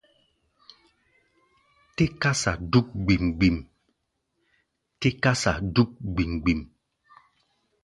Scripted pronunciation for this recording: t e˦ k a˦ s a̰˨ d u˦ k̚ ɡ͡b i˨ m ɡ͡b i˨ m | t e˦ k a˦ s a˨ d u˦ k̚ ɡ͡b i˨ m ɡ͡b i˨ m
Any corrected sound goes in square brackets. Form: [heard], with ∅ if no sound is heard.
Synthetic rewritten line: t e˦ k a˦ s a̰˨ d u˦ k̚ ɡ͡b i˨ m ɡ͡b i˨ m | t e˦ k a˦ s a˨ d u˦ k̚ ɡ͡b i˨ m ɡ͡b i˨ m